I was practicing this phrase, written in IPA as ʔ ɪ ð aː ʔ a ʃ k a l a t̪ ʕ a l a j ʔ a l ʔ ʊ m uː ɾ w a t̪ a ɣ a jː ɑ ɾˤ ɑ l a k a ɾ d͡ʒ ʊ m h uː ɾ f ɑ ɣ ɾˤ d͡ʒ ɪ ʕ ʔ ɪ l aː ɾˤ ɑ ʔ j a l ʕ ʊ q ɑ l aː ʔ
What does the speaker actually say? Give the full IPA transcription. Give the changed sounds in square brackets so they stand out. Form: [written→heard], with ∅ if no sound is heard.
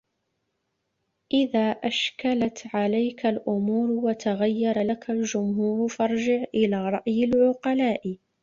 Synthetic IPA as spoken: ʔ ɪ ð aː ʔ a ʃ k a l a t̪ ʕ a l a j [ʔ→k] a l ʔ ʊ m uː ɾ w a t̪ a ɣ a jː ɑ ɾˤ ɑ l a k a [ɾ→l] d͡ʒ ʊ m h uː ɾ f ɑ [ɣ→∅] ɾˤ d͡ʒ ɪ ʕ ʔ ɪ l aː ɾˤ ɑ ʔ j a l ʕ ʊ q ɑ l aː ʔ